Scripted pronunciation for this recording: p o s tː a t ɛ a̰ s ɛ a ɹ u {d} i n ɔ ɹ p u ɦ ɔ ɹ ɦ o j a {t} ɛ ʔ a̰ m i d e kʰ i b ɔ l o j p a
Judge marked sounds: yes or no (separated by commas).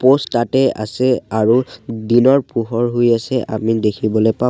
yes, no